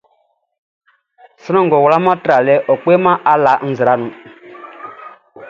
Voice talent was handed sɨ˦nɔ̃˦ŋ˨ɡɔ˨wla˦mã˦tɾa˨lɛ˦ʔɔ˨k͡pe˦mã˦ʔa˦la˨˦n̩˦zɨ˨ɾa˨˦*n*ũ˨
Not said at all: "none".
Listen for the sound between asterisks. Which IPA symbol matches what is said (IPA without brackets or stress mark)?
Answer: n